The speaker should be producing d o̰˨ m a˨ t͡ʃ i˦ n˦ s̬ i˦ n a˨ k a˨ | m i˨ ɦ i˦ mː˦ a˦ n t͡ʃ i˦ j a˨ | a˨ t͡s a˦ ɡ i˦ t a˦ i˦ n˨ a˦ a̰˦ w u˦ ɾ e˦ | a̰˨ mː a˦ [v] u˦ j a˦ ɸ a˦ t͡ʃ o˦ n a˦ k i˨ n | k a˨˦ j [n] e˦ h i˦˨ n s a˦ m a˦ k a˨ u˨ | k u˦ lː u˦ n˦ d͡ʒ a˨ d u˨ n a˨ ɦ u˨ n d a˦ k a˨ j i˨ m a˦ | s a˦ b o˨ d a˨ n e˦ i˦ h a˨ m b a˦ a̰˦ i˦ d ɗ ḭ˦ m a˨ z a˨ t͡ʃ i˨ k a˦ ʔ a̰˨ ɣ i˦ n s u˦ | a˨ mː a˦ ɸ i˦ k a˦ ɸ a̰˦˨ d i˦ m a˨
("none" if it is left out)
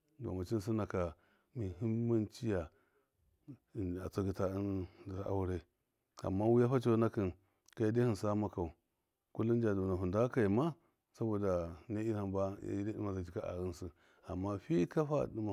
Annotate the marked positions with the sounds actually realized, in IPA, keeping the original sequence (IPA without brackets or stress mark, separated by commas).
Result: w, d